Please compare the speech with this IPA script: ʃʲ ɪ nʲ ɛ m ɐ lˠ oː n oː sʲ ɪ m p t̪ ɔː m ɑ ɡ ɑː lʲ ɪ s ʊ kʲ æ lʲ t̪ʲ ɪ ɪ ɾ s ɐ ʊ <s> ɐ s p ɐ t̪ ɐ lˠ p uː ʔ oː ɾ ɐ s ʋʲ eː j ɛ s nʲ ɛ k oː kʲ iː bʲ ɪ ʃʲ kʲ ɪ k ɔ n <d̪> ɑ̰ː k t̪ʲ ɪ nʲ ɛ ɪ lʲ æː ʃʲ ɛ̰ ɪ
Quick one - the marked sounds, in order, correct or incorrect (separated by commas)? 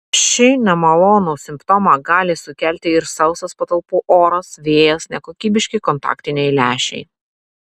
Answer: correct, incorrect